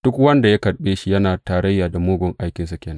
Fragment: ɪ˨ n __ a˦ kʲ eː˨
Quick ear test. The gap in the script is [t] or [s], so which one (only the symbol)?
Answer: s